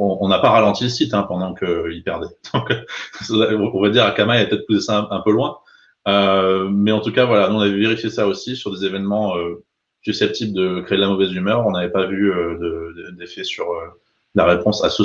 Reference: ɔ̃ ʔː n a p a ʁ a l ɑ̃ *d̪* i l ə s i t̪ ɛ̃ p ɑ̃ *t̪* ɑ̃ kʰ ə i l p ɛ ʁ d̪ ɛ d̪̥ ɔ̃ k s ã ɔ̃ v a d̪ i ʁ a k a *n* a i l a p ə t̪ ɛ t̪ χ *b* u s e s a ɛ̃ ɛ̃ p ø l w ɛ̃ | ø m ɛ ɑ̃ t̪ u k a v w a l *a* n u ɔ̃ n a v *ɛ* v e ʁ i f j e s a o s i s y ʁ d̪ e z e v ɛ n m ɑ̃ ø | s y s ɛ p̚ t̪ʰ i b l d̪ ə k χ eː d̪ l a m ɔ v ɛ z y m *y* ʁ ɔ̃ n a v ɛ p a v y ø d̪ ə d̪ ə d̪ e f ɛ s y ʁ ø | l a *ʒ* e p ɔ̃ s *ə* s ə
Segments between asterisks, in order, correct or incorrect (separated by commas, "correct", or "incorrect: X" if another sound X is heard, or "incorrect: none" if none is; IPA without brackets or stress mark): incorrect: t̪, incorrect: d̪, incorrect: m, incorrect: p, correct, correct, incorrect: œ, incorrect: ʁ, incorrect: a